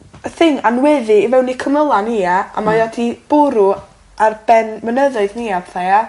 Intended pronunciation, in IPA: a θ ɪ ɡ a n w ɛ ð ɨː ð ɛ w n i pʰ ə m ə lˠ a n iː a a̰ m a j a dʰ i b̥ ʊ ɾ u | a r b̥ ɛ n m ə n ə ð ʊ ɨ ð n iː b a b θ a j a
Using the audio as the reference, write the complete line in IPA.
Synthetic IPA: ə θ ɪ ŋ a n w ɛ ð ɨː v ɛ w n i kʰ ə m ə lˠ a n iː a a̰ m a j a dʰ i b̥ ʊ ɾ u | a r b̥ ɛ n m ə n ə ð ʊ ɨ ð n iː a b θ a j a